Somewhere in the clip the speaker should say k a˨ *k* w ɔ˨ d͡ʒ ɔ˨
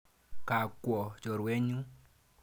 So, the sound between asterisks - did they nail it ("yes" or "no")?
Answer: yes